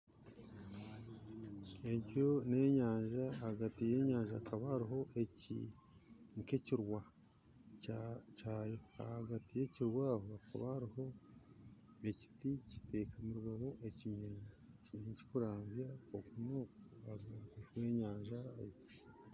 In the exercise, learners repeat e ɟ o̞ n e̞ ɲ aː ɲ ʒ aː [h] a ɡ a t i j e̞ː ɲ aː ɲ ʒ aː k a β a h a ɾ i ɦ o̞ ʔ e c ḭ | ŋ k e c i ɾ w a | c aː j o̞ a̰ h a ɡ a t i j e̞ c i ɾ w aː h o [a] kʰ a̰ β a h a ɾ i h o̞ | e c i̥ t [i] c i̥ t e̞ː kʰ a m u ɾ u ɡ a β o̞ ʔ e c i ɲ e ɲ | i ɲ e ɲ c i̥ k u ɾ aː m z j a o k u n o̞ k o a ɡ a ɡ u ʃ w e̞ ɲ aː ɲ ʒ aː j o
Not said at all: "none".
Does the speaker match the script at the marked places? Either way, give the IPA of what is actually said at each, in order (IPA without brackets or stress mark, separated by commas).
h, a, i